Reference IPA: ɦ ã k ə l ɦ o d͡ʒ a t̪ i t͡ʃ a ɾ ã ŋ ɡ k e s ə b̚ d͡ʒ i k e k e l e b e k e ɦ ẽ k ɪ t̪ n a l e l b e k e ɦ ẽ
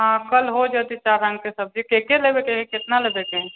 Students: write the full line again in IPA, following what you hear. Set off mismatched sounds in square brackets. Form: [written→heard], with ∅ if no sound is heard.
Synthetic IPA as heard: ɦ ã k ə l ɦ o d͡ʒ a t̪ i t͡ʃ a ɾ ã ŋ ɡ k e s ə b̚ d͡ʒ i k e k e l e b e k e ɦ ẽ k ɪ t̪ n a l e [l→∅] b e k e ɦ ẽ